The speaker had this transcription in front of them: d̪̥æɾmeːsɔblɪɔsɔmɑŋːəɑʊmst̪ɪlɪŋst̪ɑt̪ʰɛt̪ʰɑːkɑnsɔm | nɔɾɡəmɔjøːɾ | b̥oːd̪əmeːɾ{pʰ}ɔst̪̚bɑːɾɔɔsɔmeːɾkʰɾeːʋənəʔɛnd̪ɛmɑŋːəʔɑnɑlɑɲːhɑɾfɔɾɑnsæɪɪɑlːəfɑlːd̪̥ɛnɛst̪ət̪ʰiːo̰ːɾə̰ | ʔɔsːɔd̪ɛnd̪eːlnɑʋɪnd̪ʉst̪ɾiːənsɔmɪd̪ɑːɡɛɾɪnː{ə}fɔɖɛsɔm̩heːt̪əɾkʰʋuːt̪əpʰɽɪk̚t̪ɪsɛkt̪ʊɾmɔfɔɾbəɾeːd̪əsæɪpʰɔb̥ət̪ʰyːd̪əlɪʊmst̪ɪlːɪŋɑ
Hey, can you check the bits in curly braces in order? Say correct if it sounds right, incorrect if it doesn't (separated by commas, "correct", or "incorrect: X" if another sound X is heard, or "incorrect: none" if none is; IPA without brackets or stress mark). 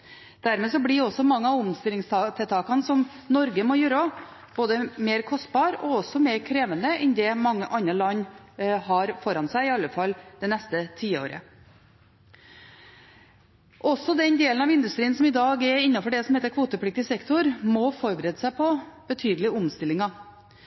incorrect: kʰ, incorrect: ɑ